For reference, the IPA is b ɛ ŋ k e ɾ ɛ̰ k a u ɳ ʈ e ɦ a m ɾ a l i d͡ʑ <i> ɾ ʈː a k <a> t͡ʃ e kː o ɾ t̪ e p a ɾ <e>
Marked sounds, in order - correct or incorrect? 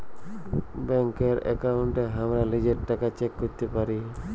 incorrect, correct, incorrect

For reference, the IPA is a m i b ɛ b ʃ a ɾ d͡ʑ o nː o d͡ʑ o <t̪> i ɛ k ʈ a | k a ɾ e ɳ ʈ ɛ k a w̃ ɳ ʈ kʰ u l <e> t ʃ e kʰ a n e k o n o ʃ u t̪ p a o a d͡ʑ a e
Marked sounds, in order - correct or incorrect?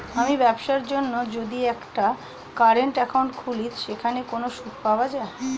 incorrect, incorrect

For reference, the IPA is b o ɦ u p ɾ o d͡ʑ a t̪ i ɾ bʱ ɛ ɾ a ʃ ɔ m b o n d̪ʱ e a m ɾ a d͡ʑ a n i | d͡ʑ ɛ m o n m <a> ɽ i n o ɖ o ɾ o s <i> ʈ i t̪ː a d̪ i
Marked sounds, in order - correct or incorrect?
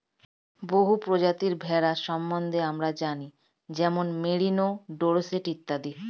incorrect, incorrect

